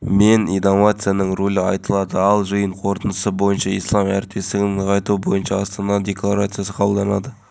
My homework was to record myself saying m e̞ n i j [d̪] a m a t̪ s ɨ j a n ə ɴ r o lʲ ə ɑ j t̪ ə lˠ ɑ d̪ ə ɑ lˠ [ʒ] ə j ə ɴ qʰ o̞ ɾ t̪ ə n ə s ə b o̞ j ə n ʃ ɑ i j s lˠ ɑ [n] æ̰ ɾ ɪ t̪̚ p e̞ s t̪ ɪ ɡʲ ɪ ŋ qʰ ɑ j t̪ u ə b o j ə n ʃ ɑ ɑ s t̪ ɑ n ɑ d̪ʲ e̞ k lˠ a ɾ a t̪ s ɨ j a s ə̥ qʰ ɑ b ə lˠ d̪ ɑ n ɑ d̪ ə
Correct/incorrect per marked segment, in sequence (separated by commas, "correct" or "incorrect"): correct, correct, incorrect